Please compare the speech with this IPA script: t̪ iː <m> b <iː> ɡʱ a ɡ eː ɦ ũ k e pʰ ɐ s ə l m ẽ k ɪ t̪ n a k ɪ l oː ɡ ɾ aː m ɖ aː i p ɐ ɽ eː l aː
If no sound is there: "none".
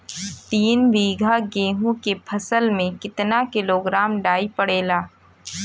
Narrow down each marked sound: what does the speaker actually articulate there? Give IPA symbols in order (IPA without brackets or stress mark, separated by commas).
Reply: n, iː